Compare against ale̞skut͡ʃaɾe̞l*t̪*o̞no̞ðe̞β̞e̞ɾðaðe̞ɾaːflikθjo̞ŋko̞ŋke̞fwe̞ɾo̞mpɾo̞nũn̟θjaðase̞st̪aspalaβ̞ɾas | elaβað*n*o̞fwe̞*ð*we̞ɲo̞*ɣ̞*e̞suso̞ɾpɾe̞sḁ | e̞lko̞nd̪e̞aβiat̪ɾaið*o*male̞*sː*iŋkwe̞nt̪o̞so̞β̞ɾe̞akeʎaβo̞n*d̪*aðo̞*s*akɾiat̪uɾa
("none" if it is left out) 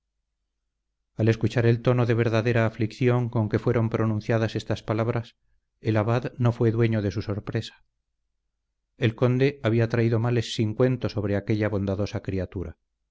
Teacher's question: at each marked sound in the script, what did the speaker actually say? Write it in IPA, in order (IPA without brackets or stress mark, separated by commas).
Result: t̪, n, ð, ð̞, o, sː, d̪, s